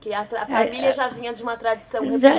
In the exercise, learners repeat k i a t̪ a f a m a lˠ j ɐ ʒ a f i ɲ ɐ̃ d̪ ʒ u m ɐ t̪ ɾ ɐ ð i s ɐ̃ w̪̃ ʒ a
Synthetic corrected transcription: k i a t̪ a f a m i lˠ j ɐ ʒ a v i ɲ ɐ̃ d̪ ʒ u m ɐ t̪ ɾ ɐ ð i s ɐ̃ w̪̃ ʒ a

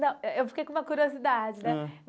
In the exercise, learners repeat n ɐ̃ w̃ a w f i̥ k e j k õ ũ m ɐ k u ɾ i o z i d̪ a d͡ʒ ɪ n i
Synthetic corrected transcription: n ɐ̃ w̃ e w f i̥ k e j k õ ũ m ɐ k u ɾ i o z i d̪ a d͡ʒ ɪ n ɛ

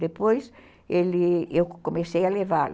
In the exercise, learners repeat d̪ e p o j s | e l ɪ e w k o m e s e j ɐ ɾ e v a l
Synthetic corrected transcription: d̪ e p o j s | e l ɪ e w k o m e s e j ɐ l e v a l

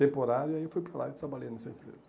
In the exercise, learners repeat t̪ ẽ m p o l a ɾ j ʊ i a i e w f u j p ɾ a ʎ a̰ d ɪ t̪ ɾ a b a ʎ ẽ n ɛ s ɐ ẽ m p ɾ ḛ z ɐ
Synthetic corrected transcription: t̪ ẽ m p o ɾ a ɾ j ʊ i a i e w f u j p ɾ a l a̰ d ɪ t̪ ɾ a b a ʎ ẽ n ɛ s ɐ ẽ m p ɾ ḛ z ɐ

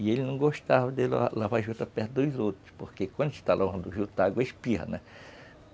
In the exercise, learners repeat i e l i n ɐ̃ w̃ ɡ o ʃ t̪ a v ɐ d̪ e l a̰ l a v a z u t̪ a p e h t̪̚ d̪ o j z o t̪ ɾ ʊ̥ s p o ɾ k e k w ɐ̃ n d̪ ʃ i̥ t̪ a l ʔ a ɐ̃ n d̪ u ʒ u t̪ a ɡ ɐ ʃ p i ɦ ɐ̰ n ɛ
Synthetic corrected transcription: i e l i n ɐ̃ w̃ ɡ o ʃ t̪ a v ɐ d̪ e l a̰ l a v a ʒ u t̪ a p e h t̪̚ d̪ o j z o t̪ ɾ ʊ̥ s p o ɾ k e k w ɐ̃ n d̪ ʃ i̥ t̪ a l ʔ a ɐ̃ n d̪ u ʒ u t̪ a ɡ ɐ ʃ p i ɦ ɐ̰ n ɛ

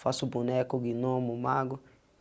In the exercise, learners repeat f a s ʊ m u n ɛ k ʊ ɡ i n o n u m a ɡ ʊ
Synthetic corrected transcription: f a s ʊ b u n ɛ k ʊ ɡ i n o m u m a ɡ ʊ

